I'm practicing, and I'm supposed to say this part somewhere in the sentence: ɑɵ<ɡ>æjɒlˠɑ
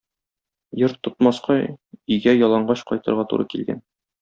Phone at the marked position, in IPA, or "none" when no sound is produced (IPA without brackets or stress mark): ɡ